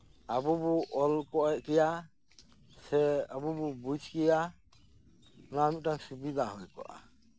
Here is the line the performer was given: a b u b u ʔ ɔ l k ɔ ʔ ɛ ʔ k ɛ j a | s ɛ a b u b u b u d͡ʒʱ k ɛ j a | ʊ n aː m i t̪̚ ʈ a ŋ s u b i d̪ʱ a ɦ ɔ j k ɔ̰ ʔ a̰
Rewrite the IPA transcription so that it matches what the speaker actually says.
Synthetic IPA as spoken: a b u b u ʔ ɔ l k ɔ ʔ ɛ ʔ k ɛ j a | s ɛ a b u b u b u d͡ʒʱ k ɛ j a | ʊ n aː m i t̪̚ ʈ a ŋ s u b i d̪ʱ a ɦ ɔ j k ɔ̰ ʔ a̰